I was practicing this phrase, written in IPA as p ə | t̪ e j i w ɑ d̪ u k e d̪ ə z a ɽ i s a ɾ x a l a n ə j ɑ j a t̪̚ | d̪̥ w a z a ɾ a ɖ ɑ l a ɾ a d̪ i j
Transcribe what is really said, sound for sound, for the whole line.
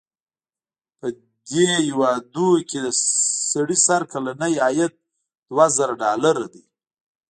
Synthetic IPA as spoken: p ə | d̪ e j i w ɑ d̪ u k e d̪ ə s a ɽ i s a ɾ k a l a n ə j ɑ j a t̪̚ | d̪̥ w a z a ɾ a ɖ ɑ l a ɾ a d̪ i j